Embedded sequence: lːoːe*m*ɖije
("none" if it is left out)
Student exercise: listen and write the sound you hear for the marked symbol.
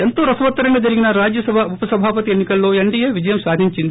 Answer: ɳ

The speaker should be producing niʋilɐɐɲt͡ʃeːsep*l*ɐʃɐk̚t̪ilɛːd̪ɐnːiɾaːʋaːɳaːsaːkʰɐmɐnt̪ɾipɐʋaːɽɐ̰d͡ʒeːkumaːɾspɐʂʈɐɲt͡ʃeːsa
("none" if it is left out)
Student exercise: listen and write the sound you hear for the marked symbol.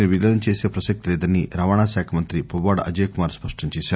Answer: ɾ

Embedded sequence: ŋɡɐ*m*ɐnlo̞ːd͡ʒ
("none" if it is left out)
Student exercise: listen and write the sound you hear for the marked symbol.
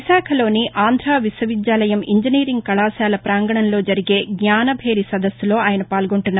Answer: ɳ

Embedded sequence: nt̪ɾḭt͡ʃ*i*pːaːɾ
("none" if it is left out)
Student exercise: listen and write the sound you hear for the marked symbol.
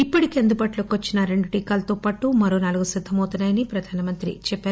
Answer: ɛ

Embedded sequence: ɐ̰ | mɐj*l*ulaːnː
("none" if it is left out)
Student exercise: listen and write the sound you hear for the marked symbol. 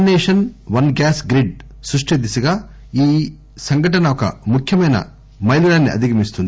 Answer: l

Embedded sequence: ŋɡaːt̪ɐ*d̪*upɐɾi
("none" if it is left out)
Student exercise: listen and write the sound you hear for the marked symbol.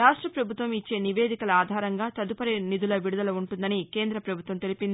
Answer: d̪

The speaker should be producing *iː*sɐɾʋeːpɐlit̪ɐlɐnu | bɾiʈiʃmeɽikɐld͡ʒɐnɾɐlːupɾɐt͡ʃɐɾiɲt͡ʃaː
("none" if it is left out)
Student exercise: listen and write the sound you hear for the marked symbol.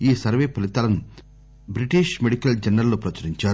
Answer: iː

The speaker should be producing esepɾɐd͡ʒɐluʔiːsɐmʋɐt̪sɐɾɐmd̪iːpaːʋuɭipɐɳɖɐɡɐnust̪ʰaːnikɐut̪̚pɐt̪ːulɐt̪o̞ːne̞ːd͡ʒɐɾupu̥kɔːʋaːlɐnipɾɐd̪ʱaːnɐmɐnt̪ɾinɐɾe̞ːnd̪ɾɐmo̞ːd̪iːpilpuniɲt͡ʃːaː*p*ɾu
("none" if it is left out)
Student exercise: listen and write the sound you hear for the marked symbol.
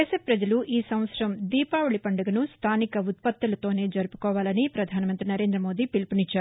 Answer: none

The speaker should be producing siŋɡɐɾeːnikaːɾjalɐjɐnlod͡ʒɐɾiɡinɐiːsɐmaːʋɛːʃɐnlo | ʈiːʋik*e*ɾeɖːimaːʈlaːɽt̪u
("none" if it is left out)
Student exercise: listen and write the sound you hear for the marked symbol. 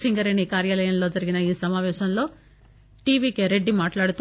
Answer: e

